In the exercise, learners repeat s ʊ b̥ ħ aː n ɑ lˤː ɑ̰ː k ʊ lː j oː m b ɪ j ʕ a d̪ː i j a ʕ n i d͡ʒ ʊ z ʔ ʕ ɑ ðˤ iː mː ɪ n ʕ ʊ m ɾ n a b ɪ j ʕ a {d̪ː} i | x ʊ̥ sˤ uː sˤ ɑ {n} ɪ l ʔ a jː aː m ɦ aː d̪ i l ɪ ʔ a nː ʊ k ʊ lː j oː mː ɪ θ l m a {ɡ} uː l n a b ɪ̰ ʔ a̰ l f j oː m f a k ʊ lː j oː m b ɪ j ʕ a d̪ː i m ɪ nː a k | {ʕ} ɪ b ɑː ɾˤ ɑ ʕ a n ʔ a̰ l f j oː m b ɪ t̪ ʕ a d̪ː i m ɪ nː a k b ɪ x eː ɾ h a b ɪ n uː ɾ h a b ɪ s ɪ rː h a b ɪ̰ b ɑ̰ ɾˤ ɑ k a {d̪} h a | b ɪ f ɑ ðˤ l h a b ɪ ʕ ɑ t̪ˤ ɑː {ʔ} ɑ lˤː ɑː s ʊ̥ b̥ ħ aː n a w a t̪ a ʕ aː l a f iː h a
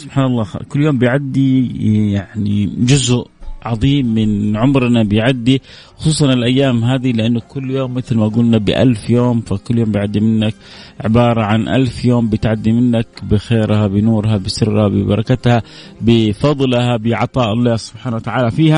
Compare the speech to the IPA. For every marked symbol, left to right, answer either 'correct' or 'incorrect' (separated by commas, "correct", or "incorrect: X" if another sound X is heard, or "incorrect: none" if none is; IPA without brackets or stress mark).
correct, correct, correct, correct, incorrect: t̪, correct